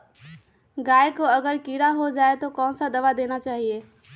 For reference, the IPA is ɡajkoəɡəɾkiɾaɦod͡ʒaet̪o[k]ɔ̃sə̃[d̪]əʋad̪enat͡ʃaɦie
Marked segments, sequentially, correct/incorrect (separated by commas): correct, correct